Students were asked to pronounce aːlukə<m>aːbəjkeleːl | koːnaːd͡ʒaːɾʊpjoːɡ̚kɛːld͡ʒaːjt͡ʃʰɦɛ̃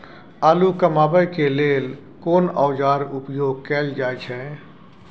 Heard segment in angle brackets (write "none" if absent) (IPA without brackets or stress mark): m